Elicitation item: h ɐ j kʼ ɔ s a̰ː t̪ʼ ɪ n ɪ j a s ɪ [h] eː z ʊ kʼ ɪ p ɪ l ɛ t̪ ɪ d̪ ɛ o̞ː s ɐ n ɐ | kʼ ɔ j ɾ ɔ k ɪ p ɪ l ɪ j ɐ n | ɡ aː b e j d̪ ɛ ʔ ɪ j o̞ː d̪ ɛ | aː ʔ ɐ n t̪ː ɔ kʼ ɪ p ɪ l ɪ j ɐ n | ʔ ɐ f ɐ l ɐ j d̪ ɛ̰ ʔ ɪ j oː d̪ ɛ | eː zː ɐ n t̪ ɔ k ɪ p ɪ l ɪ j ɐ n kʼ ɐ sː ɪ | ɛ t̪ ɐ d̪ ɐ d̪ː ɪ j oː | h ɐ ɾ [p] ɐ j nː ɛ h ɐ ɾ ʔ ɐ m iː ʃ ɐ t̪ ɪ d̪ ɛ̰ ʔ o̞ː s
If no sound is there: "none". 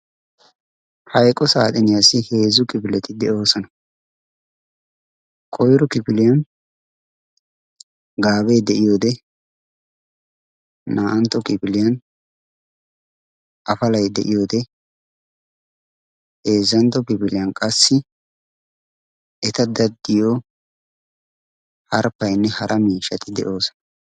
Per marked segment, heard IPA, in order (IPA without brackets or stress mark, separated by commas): h, p